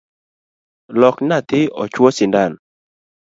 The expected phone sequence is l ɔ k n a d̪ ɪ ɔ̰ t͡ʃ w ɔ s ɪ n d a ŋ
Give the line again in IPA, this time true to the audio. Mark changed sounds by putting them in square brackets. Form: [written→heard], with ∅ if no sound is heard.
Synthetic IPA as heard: l ɔ k n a [d̪→t̪] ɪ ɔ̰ t͡ʃ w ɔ s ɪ n d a [ŋ→n]